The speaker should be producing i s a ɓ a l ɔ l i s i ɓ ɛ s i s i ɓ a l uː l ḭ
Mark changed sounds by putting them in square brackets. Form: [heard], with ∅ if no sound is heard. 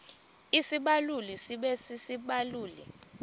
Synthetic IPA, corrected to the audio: i s [i] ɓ a l [u] l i s i ɓ ɛ s i s i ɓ a l uː l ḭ